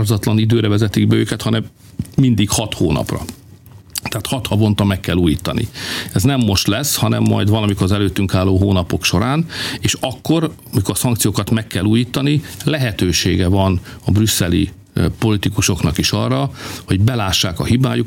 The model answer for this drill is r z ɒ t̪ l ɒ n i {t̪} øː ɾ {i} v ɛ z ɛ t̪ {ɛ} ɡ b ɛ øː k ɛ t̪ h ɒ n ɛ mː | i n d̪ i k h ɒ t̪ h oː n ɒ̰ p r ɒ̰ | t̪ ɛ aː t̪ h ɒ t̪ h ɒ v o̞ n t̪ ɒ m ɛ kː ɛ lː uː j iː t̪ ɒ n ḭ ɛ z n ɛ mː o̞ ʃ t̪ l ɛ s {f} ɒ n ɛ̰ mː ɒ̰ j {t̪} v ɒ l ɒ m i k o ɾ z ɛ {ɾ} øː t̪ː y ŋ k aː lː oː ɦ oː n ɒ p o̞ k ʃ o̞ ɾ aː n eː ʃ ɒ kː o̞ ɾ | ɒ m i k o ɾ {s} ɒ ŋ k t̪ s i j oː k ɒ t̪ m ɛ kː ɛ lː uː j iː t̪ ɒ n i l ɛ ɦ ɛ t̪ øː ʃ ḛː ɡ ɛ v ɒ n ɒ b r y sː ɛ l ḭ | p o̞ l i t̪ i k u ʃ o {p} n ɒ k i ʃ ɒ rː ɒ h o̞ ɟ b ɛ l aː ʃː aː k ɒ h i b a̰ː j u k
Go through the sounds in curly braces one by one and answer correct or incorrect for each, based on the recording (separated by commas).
incorrect, incorrect, incorrect, incorrect, incorrect, incorrect, correct, incorrect